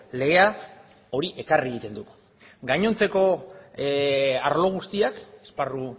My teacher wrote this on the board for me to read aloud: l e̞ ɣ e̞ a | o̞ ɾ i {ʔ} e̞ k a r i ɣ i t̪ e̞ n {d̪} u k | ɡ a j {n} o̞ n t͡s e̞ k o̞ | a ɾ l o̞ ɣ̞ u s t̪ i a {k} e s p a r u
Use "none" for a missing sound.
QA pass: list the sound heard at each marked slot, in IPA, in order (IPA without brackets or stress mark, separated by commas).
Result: ʔ, d̪, ɲ, k